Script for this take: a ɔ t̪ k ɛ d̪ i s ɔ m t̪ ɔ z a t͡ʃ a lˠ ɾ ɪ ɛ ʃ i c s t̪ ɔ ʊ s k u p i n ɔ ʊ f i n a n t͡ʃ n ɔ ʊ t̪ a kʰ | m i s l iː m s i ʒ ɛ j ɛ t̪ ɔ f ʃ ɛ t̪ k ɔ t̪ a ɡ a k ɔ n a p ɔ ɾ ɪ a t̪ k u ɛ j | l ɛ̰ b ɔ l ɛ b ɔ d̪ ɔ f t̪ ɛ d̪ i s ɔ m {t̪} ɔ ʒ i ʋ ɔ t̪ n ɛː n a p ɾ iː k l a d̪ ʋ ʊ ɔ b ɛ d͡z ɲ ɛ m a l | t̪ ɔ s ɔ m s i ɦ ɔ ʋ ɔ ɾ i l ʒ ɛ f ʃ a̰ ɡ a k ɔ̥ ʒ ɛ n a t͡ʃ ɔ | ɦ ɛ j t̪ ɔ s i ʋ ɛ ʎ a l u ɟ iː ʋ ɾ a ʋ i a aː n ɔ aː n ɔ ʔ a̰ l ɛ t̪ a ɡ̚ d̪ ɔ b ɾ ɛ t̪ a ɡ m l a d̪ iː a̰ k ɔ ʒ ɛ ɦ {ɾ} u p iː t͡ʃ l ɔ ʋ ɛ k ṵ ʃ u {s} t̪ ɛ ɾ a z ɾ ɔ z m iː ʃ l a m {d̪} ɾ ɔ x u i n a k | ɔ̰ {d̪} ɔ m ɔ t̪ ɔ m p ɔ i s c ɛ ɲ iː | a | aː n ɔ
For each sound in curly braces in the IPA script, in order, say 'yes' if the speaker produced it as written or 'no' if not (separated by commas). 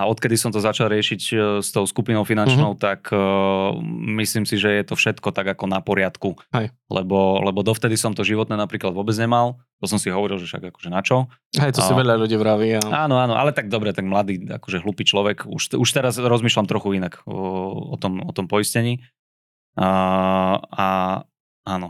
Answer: yes, no, no, no, no